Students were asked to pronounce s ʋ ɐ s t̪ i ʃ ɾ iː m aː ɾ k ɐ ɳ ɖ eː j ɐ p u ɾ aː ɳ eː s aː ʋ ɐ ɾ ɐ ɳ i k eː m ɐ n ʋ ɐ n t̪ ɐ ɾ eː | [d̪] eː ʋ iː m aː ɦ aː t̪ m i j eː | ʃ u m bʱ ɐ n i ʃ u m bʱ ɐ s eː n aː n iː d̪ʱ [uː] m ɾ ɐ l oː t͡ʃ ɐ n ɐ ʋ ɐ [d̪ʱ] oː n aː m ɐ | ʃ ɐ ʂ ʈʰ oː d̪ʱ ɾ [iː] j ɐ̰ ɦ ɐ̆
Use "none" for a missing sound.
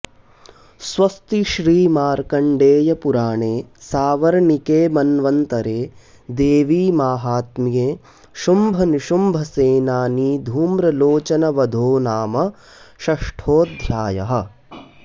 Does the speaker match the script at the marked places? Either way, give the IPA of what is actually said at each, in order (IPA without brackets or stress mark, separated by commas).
d̪, uː, d̪ʱ, aː